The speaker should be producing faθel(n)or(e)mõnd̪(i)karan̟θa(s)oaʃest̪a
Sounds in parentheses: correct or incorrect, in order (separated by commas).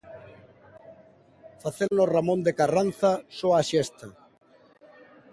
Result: correct, incorrect, incorrect, correct